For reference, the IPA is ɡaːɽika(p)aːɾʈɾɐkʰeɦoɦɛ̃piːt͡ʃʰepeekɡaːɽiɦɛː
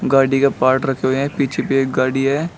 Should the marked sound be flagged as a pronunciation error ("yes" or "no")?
no